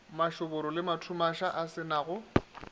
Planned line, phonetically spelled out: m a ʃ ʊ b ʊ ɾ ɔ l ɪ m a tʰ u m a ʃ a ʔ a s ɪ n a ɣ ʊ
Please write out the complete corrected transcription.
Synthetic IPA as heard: m a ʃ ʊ b ʊ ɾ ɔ l ɪ m a tʰ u m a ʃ a ʔ a s ɪ n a ɣ ʊ